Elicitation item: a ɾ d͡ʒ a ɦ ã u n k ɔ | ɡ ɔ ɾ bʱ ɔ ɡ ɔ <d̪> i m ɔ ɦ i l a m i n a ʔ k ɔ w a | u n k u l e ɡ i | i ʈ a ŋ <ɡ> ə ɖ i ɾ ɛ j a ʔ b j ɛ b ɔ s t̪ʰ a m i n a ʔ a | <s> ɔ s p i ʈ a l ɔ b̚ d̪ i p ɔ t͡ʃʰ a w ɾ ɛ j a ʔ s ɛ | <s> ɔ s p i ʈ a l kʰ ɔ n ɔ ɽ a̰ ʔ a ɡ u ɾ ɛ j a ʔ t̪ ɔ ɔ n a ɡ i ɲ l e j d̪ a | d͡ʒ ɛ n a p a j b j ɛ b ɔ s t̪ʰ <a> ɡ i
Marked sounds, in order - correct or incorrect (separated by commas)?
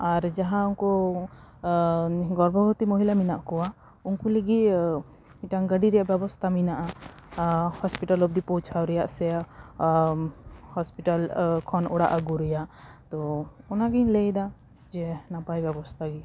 incorrect, correct, incorrect, incorrect, correct